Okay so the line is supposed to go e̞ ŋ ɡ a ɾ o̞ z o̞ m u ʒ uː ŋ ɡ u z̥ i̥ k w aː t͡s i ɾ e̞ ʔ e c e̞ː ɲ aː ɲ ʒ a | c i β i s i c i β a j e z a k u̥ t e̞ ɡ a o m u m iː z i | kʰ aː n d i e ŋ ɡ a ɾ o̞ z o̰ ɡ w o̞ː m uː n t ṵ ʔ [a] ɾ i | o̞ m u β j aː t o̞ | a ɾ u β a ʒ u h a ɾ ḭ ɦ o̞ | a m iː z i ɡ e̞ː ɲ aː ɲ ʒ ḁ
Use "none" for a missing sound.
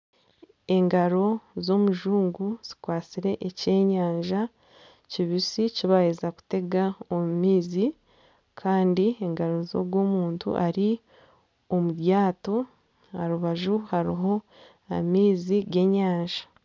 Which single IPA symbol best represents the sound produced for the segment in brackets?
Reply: a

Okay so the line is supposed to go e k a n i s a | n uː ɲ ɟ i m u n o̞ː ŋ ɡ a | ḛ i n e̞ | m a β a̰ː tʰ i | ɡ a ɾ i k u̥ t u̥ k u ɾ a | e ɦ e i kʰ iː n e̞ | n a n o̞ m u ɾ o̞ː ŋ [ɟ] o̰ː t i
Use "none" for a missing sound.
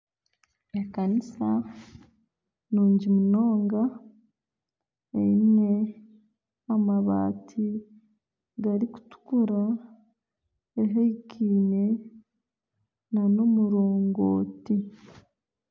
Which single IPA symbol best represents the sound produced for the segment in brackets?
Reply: ɡ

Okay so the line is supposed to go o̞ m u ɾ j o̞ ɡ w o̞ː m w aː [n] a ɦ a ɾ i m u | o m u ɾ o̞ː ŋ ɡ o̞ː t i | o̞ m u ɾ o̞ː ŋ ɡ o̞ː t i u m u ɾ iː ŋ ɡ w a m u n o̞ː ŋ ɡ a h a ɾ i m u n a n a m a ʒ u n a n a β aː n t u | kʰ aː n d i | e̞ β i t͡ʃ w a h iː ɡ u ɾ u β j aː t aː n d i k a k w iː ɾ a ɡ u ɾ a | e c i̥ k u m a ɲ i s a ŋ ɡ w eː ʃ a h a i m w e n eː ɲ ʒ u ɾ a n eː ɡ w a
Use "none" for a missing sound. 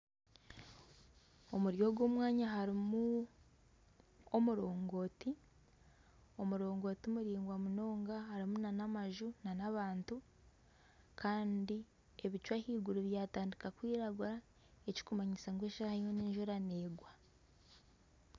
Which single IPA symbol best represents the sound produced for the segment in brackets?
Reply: ɲ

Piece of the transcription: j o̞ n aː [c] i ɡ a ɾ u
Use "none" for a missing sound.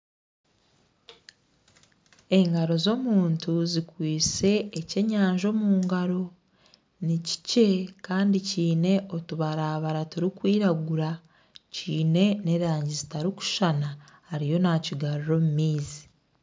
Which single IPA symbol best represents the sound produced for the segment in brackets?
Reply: c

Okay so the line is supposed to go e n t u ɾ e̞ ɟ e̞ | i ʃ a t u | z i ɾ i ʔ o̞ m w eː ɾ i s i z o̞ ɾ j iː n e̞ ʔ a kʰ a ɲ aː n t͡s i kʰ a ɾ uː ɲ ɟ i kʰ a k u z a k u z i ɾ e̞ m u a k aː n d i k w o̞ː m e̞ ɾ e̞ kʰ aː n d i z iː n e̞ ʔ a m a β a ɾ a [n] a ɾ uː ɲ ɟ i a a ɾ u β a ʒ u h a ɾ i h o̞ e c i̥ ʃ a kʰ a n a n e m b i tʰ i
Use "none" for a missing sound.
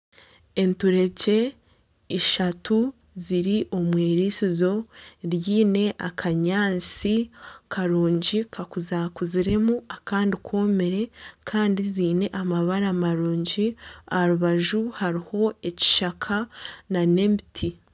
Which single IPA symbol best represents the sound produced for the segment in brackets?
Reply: m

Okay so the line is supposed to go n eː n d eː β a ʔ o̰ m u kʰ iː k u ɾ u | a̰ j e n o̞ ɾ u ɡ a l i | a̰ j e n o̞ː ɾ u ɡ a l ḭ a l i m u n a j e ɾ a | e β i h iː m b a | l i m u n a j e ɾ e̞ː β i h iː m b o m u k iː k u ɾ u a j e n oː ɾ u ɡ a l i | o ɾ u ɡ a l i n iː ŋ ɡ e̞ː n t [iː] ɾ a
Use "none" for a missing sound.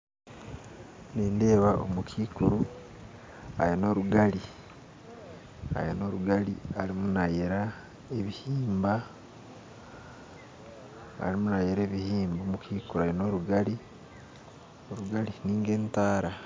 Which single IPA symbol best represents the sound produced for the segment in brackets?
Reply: aː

